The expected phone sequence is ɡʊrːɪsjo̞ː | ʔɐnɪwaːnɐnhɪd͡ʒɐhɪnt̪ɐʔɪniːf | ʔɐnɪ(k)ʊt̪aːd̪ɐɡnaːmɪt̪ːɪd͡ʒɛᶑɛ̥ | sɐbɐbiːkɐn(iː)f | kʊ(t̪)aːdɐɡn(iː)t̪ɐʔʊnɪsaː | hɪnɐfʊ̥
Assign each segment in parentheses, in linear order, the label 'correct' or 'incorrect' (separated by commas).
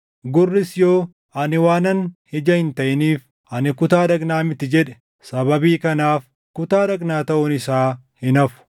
correct, incorrect, correct, incorrect